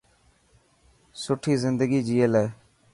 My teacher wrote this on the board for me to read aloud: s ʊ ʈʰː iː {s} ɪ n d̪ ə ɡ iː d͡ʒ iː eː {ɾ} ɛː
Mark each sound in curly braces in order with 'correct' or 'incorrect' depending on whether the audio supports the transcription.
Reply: incorrect: z, incorrect: l

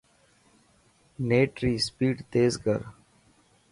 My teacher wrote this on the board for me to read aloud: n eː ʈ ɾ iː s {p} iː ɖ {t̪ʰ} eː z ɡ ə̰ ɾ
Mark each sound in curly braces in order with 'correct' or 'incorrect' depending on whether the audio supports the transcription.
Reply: correct, incorrect: t̪

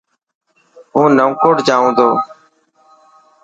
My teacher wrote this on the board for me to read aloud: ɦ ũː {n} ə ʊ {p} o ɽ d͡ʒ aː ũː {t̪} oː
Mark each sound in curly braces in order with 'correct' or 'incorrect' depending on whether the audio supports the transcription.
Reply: correct, incorrect: k, incorrect: d̪

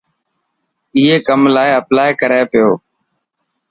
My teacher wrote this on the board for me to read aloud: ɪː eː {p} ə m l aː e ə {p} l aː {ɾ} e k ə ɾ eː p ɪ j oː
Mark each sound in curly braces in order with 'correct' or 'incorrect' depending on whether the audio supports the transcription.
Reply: incorrect: k, correct, incorrect: none

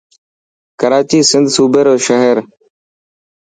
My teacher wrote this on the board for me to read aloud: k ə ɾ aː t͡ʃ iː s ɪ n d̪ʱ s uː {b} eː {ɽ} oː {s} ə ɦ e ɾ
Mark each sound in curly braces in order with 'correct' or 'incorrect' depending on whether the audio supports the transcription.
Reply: correct, incorrect: ɾ, incorrect: ʃ

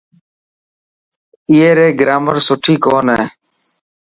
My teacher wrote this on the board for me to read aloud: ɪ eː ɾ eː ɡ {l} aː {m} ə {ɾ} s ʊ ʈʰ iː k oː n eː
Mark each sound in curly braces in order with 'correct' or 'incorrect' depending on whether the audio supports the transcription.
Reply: incorrect: ɾ, correct, correct

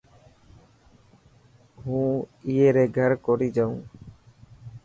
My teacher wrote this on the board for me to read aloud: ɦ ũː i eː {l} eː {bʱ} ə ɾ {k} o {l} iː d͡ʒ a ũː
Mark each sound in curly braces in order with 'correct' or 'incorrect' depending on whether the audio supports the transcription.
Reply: incorrect: ɾ, incorrect: ɡʱ, correct, incorrect: ɾ

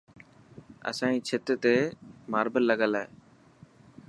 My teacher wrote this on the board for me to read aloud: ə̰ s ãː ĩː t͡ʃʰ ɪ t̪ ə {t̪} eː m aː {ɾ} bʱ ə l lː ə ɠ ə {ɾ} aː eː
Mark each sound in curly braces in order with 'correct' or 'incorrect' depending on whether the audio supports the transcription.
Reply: correct, correct, incorrect: l

